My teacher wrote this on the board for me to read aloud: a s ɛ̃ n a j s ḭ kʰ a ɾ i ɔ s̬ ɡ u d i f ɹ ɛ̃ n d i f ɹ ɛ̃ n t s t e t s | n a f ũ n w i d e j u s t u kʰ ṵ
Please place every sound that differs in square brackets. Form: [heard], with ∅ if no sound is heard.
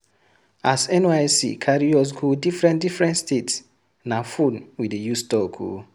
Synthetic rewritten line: a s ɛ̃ n a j s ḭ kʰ a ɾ i ɔ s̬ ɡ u d i f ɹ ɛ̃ n d i f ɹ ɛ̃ n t s t e t s | n a f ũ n w i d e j u s t [ɔ] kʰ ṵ